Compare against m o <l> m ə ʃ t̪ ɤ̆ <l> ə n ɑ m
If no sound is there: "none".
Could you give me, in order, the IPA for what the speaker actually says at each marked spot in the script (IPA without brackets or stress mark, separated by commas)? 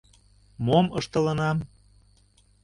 none, l